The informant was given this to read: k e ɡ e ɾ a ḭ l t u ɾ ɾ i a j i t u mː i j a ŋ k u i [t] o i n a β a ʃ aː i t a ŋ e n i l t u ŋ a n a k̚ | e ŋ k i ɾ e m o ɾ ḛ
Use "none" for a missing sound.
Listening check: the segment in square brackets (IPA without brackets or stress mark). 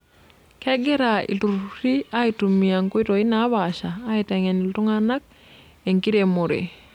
t